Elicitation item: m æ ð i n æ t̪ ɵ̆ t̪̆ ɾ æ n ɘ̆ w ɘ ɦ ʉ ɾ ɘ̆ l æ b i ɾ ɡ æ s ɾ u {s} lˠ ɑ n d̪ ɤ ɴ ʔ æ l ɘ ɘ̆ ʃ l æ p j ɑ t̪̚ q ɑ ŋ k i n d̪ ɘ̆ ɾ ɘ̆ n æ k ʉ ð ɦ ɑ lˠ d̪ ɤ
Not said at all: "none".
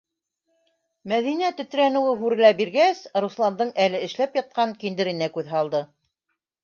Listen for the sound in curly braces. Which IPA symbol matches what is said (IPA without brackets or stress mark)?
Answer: s